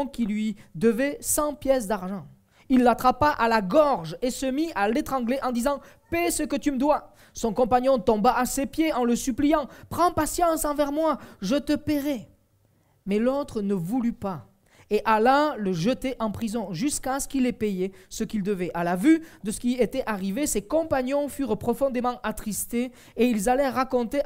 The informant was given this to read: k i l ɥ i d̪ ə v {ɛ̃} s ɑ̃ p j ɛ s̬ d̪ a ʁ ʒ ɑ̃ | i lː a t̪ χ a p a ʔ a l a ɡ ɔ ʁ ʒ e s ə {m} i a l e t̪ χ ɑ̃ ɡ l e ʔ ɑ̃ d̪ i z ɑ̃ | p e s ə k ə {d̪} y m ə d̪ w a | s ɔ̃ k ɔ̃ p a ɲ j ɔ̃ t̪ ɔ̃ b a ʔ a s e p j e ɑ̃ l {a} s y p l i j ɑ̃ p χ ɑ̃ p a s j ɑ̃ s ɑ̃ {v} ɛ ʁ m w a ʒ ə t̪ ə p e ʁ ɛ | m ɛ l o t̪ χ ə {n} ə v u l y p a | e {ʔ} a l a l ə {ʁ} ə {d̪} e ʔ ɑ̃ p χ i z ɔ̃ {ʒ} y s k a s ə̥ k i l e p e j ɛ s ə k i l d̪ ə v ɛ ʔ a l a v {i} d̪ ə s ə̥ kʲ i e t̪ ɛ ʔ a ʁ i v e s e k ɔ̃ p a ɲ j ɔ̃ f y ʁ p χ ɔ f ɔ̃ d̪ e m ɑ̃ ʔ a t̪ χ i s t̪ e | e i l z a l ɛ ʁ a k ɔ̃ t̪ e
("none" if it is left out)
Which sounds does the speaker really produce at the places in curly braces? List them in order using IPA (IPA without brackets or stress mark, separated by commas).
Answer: ɛ, m, t̪, ə, v, n, ʔ, ʒ, t̪, ʒ, y